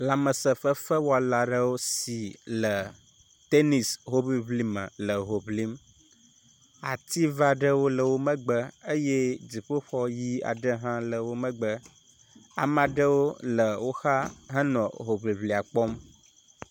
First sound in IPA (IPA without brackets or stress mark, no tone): l